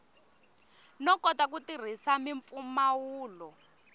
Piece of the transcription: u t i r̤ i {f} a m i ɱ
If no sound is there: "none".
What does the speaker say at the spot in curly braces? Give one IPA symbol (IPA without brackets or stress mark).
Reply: s